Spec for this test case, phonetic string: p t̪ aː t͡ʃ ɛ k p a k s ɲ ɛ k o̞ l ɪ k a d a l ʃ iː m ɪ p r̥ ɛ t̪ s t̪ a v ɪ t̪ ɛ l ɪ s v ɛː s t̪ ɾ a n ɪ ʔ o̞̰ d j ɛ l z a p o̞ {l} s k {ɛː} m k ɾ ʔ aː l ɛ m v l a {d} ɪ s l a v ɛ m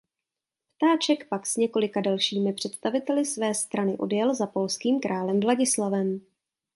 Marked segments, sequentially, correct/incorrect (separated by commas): correct, incorrect, incorrect